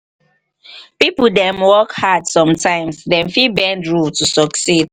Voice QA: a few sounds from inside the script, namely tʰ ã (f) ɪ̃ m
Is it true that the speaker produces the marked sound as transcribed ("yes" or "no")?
no